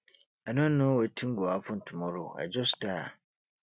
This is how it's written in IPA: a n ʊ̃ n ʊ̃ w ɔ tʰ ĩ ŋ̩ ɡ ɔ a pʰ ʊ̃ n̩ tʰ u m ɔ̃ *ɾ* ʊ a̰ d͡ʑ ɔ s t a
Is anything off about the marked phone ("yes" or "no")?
no